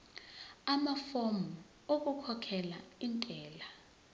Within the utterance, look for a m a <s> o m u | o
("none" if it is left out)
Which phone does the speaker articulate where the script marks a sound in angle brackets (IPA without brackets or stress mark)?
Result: f